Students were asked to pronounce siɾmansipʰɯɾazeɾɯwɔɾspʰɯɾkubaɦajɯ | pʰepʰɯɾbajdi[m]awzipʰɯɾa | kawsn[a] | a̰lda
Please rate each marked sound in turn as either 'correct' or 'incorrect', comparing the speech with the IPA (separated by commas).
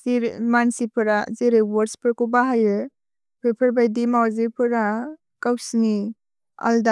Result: correct, incorrect